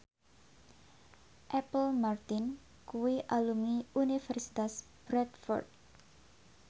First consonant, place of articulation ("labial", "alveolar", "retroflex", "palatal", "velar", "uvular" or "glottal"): glottal